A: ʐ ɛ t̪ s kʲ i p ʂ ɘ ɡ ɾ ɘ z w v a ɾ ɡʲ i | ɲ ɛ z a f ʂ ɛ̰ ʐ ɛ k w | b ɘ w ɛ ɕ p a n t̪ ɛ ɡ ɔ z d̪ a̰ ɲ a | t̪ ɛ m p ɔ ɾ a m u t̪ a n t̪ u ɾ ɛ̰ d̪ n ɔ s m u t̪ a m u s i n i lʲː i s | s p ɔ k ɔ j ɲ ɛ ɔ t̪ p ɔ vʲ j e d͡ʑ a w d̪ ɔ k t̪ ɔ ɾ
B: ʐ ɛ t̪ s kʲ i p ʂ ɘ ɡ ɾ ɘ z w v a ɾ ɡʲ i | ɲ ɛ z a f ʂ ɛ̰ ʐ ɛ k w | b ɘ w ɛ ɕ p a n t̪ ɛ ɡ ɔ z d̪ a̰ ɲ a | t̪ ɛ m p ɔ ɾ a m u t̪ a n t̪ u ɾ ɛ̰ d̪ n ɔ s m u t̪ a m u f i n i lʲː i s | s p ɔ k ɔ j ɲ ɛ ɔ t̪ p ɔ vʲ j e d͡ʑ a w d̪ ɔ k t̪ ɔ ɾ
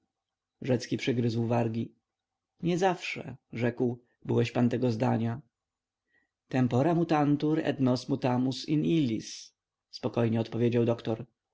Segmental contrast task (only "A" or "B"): A